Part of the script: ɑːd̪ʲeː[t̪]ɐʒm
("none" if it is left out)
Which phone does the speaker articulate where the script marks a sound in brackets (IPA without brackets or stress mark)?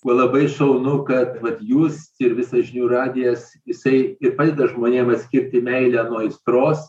d̪